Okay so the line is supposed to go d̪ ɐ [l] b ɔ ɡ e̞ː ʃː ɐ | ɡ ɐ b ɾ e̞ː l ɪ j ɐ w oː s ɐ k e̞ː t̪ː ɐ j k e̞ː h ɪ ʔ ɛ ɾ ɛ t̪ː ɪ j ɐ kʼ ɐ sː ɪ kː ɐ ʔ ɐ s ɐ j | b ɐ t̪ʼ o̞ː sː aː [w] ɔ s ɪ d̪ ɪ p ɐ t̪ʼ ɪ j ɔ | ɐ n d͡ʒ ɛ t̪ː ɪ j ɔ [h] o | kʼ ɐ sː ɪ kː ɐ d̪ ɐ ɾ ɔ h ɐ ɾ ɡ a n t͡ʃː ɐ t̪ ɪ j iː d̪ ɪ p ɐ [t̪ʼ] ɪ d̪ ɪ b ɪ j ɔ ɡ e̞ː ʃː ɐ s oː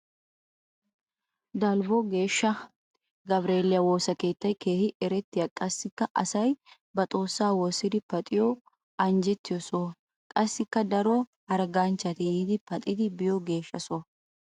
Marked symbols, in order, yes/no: yes, yes, no, yes

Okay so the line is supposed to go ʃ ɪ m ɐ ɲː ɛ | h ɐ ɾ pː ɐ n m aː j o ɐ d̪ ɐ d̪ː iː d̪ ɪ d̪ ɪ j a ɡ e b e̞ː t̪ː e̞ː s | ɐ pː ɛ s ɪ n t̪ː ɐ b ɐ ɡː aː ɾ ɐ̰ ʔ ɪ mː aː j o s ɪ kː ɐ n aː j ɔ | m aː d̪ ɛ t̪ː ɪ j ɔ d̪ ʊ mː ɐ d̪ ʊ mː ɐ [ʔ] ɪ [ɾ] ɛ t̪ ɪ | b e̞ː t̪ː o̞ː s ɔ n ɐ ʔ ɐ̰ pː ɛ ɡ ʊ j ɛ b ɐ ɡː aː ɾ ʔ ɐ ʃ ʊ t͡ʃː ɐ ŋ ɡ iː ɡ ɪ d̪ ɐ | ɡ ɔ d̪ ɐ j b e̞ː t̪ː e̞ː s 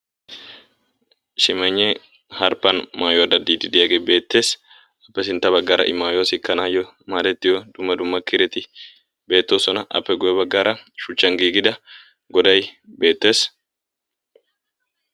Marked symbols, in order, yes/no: no, yes

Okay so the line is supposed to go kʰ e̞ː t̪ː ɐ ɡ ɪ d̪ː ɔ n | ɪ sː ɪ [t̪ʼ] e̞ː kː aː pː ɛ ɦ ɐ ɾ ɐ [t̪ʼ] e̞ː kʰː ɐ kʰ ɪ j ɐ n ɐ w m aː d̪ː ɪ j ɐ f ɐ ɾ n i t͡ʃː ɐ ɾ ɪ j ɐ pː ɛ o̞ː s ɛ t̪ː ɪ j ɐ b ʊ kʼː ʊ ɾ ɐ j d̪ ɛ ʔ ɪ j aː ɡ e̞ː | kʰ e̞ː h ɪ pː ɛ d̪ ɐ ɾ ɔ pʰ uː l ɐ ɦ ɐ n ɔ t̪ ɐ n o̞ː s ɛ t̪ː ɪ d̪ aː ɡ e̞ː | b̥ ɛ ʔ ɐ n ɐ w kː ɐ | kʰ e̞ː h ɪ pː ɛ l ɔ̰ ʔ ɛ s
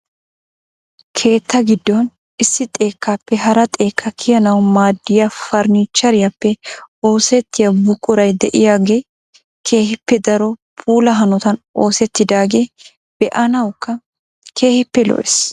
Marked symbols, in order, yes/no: yes, yes

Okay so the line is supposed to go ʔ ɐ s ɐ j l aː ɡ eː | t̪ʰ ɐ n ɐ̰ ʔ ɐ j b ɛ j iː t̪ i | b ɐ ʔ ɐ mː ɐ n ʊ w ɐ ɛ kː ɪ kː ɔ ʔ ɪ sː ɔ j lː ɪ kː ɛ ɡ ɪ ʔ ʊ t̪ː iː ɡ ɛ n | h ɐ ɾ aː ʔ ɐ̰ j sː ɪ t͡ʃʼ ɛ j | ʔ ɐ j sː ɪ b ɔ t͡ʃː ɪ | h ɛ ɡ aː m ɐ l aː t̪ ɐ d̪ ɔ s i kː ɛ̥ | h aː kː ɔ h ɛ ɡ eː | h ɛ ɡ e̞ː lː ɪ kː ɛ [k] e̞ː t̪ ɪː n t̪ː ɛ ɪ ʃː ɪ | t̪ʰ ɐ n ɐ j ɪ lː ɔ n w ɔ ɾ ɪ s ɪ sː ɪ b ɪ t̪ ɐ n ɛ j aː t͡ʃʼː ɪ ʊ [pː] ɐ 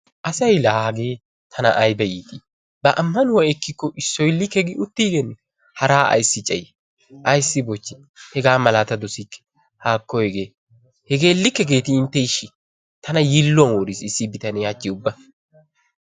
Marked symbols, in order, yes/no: no, no

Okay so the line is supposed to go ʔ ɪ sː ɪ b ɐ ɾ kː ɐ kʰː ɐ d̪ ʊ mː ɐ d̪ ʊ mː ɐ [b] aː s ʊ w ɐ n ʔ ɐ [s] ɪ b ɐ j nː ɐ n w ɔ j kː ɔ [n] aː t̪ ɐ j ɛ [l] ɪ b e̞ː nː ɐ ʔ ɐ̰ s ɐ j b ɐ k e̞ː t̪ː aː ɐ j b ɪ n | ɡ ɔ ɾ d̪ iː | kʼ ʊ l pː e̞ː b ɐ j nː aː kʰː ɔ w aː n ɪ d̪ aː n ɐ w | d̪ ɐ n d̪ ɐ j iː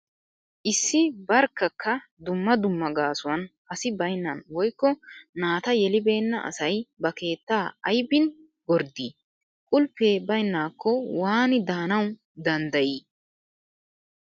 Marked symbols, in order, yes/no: no, yes, yes, yes

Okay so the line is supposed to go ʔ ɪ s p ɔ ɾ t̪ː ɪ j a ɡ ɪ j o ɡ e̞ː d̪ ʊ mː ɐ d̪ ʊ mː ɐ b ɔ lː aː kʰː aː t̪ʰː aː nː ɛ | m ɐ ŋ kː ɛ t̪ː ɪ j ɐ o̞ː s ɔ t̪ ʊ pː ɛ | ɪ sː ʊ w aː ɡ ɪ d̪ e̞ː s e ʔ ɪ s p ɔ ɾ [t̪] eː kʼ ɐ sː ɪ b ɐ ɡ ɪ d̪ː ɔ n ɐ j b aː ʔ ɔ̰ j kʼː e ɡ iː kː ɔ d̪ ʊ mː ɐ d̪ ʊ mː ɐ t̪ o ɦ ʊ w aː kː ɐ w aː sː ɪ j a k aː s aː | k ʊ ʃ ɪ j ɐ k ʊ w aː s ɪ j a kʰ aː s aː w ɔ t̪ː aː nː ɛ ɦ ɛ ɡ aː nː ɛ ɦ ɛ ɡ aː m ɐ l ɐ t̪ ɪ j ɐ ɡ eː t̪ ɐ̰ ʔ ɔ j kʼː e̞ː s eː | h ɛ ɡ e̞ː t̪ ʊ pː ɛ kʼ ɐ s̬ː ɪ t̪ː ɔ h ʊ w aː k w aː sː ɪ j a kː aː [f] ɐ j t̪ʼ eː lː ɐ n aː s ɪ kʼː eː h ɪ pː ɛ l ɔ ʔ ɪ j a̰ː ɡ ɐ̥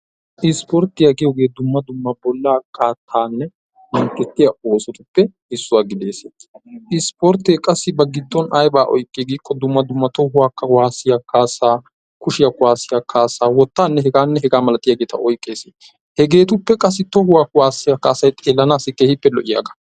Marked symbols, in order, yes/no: yes, no

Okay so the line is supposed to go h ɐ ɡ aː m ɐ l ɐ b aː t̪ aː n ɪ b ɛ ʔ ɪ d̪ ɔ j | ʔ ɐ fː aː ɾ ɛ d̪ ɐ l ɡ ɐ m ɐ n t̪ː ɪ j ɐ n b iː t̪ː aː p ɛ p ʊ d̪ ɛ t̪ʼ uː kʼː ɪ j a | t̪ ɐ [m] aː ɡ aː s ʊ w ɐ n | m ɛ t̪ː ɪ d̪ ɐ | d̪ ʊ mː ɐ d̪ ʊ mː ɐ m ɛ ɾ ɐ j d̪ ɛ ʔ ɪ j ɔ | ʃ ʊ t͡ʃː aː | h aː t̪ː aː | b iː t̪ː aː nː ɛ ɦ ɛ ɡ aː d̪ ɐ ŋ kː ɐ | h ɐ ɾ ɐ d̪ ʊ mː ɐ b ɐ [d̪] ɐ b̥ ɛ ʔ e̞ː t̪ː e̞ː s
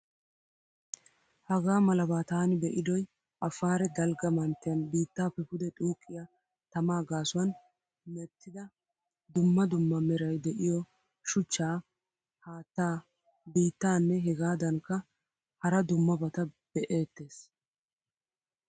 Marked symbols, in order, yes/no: yes, no

